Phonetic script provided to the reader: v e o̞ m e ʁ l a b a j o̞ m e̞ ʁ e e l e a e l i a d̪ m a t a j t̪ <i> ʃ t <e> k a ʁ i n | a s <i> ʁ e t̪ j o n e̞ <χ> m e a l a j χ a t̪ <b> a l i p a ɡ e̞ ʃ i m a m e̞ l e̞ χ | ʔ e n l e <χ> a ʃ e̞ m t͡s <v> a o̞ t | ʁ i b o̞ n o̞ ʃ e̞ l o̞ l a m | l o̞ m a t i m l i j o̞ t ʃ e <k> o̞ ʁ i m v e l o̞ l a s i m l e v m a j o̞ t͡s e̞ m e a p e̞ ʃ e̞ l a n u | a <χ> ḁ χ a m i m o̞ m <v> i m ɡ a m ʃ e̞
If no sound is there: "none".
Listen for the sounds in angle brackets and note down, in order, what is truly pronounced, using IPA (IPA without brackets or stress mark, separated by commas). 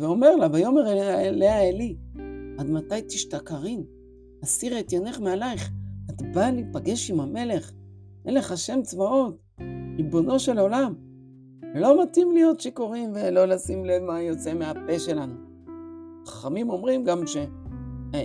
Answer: i, a, i, χ, b, χ, v, k, χ, ʁ